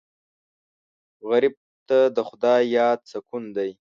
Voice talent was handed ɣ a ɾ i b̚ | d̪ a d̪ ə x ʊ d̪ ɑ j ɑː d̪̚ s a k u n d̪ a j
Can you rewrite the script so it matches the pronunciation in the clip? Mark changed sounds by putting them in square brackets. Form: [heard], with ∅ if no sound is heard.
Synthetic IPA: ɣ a ɾ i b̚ | [t̪] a d̪ ə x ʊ d̪ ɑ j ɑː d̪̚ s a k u n d̪ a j